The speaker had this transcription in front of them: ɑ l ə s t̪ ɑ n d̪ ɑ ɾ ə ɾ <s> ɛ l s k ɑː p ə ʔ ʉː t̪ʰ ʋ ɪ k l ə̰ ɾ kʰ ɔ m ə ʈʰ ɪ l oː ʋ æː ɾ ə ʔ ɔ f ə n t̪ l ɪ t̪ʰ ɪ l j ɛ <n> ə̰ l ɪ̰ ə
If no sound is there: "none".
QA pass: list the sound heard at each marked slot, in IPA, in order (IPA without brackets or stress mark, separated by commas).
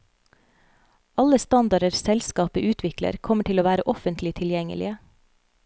s, ŋ